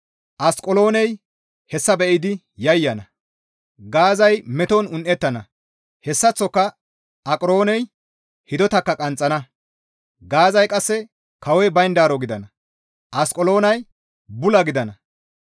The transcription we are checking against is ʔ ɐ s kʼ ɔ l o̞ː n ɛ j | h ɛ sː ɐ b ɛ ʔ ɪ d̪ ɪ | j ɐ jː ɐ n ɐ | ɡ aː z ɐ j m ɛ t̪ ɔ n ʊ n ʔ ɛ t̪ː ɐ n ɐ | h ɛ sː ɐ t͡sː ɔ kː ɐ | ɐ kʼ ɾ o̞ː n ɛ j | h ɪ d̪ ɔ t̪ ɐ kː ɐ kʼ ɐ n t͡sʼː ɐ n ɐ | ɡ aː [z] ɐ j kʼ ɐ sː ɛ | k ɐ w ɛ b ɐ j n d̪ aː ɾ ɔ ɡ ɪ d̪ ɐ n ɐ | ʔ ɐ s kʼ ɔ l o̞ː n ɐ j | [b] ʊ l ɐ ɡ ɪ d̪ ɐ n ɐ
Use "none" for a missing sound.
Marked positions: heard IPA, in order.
z, b

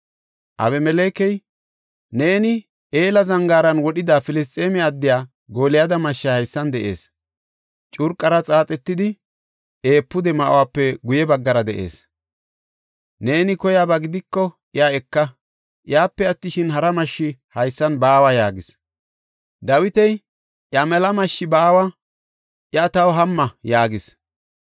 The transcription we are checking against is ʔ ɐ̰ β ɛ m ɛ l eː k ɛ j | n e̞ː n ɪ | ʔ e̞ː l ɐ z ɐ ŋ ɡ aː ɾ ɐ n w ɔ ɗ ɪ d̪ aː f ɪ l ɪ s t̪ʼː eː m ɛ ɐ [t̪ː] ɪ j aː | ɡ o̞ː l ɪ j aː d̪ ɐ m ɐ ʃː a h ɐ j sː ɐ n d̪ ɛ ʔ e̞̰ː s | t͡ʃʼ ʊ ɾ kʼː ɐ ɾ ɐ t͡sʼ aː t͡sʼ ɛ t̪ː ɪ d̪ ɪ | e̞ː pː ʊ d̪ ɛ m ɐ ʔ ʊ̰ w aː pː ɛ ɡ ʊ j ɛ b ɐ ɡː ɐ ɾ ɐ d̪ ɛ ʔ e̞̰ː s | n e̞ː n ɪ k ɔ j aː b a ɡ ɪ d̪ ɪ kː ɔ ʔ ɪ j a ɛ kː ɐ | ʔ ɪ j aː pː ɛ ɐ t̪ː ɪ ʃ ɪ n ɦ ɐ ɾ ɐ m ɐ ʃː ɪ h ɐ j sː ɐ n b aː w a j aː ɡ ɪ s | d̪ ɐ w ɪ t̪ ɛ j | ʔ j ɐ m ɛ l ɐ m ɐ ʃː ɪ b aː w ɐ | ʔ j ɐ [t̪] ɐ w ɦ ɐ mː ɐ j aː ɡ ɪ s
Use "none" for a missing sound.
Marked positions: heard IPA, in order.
d̪ː, t̪

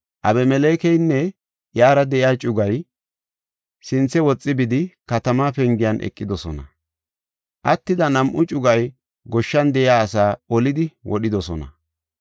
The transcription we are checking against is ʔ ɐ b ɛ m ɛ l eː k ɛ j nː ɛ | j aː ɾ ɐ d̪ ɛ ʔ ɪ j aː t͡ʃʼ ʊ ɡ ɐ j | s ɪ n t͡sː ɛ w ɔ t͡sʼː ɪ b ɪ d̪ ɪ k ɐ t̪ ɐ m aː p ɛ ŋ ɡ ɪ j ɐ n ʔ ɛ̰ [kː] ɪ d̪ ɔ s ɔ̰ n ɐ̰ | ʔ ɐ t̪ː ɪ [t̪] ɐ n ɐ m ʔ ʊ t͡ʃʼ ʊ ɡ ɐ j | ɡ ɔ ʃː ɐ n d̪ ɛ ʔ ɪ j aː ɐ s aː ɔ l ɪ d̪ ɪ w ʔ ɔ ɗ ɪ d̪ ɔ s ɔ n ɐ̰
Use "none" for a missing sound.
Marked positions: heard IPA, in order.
kʼː, d̪

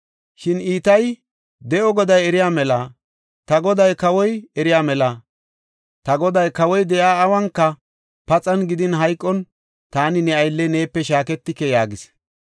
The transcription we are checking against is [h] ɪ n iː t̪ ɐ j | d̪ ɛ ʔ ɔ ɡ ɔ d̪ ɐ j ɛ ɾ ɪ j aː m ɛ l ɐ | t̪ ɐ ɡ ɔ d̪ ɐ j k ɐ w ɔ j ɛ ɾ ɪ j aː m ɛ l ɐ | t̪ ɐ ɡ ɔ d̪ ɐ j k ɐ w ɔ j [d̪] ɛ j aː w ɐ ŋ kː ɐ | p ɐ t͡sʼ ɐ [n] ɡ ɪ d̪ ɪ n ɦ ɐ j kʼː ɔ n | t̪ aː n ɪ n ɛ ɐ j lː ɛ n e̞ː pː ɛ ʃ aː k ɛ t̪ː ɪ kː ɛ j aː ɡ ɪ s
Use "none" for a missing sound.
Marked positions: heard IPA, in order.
ʃ, d̪, n

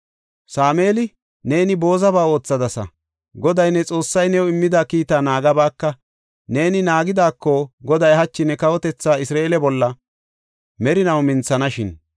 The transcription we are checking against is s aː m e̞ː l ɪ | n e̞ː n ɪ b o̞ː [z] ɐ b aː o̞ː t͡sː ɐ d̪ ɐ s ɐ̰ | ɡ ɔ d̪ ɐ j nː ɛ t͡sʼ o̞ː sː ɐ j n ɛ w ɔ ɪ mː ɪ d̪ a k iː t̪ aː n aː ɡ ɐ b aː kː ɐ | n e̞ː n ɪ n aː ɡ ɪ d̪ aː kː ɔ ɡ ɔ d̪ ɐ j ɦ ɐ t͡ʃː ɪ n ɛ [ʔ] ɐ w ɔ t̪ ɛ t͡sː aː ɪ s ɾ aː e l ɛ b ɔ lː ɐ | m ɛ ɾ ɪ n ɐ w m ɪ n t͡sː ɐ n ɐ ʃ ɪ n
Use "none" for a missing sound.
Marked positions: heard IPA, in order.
z, k

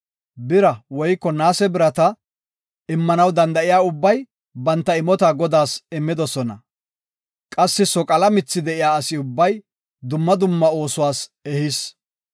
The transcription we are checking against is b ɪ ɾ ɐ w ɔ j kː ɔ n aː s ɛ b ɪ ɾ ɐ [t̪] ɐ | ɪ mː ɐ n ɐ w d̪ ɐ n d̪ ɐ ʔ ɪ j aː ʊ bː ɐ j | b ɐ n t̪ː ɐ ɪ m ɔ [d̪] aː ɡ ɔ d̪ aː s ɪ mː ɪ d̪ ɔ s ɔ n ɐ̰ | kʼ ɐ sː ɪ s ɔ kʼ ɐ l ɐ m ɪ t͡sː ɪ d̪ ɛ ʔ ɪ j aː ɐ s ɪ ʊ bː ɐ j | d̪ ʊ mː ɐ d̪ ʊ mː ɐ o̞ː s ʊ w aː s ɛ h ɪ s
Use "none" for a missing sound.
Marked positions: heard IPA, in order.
t̪, t̪

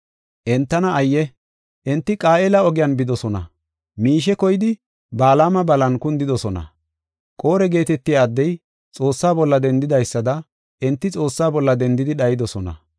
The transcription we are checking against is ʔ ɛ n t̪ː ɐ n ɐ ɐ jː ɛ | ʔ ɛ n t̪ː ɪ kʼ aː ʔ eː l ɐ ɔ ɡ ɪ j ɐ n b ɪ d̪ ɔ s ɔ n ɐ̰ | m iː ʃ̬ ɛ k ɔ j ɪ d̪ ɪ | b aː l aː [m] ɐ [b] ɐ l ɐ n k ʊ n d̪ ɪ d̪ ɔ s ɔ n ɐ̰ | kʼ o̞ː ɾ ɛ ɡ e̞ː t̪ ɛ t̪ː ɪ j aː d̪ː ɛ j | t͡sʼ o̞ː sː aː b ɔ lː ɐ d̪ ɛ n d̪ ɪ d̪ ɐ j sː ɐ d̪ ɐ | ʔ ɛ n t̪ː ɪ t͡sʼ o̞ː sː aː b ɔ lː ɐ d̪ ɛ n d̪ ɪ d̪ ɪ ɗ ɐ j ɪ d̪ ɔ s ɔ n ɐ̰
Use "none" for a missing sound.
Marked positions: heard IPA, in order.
m, b

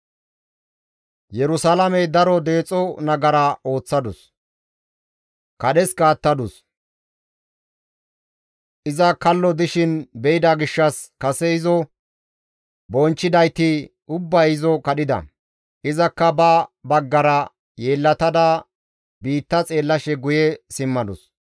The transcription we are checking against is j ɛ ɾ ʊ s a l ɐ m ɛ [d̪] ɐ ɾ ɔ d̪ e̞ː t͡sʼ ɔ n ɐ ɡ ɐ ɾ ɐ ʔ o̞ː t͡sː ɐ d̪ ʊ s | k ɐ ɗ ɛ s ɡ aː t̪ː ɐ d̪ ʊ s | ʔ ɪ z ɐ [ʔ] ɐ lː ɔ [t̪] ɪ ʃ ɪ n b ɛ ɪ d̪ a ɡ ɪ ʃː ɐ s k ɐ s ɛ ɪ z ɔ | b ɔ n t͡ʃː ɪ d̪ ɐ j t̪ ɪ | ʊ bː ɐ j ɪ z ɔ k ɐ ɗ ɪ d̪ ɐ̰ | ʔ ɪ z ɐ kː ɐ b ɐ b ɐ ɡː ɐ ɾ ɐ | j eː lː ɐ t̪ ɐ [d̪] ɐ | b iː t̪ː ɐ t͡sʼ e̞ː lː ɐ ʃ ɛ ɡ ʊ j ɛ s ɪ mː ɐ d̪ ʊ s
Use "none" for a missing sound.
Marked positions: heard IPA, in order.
d̪, k, d̪, d̪

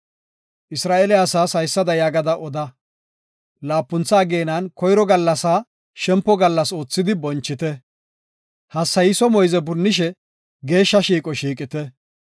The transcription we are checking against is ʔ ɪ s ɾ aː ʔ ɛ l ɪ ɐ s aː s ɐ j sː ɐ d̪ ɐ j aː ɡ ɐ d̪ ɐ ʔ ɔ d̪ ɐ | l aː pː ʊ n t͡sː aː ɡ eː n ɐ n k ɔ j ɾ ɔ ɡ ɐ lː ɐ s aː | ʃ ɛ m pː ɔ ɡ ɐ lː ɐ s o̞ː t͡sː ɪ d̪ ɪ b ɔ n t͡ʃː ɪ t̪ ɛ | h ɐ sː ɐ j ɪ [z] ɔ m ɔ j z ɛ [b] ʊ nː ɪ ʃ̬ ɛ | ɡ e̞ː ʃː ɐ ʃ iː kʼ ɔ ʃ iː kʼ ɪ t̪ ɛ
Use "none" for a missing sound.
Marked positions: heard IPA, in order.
s, b

